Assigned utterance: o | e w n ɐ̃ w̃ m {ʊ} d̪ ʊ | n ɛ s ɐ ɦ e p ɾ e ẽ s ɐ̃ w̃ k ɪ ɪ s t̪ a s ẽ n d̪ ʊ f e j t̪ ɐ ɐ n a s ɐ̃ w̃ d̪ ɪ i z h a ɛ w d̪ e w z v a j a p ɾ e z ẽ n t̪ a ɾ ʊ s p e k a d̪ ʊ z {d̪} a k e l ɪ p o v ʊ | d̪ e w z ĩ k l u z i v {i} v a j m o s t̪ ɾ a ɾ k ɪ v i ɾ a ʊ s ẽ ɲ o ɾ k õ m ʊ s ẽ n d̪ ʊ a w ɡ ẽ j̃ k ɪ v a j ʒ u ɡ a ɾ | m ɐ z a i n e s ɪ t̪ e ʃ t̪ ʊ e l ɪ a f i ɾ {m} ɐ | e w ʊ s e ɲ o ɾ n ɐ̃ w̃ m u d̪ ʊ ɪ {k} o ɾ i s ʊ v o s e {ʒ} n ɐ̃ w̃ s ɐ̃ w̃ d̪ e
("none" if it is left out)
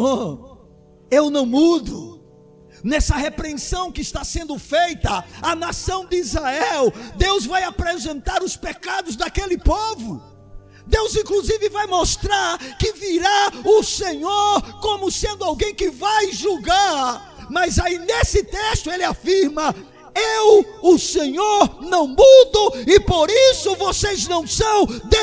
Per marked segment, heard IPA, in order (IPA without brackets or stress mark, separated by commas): u, d̪, ɪ, m, p, z